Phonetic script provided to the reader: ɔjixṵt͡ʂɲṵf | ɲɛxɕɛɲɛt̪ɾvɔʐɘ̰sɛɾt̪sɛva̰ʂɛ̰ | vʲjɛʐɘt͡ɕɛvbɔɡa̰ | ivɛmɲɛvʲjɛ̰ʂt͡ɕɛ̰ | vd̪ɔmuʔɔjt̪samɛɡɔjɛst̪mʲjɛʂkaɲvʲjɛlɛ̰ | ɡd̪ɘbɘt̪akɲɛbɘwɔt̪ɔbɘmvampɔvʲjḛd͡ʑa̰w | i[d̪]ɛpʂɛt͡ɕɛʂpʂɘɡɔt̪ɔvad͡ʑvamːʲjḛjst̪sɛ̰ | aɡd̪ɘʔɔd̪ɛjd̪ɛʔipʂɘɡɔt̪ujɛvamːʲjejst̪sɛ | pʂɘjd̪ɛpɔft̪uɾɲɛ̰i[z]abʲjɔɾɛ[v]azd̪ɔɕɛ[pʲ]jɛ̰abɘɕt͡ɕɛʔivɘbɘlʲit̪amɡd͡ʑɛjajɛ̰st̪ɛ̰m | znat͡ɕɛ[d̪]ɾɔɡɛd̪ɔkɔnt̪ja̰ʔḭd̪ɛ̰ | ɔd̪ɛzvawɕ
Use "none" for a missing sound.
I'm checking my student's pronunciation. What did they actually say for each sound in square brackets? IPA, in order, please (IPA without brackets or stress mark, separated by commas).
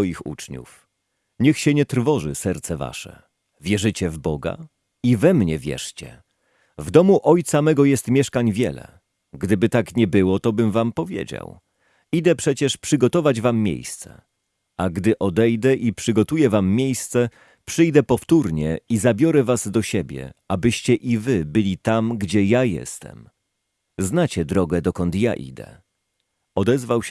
d̪, z, v, bʲ, d̪